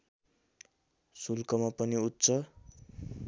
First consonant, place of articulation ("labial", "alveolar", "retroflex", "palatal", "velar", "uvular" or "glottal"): alveolar